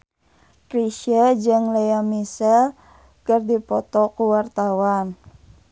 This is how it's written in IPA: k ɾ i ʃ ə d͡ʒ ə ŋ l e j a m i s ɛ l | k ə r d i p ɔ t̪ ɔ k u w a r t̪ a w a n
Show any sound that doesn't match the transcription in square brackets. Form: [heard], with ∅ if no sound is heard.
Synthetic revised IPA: k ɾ i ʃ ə d͡ʒ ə ŋ l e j a m i s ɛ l | k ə r d i p ɔ t̪ ɔ k u w a r t̪ a w a n